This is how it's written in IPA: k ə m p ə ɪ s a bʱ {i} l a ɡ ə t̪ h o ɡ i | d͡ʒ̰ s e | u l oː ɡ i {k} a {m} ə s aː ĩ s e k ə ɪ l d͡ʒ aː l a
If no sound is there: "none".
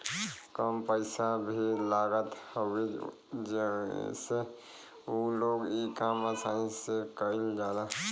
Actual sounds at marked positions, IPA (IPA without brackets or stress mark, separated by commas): i, k, m